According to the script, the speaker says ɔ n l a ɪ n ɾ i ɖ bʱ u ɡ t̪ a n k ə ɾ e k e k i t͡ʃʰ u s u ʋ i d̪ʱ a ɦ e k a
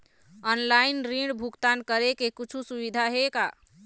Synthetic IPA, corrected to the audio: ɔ n l a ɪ n ɾ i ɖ bʱ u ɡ t̪ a n k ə ɾ e k e k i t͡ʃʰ u s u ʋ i d̪ʱ a ɦ e k a